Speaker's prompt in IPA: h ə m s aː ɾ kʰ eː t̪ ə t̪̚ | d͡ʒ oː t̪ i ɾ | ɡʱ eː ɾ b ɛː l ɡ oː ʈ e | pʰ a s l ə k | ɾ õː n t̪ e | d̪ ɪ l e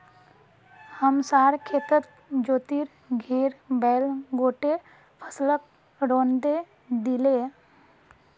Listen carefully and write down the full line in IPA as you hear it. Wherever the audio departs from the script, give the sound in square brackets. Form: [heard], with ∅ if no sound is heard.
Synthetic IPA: h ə m s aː ɾ kʰ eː t̪ ə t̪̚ | d͡ʒ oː t̪ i ɾ | ɡʱ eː ɾ b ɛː l ɡ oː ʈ e | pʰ [ə] s l ə k | ɾ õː n [d̪] e | d̪ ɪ l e